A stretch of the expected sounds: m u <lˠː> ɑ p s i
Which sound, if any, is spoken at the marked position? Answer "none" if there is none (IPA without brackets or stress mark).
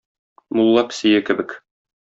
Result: lˠː